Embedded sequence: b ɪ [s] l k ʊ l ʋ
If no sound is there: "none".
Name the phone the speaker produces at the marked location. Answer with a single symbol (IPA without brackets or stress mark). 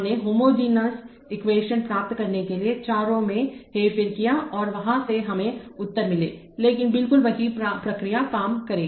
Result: none